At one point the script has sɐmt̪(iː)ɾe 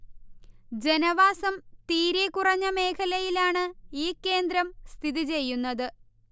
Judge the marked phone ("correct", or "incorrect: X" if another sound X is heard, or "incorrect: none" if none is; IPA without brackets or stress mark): correct